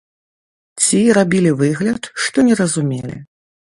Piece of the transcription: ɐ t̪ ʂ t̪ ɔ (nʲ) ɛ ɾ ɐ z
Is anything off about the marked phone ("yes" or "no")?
no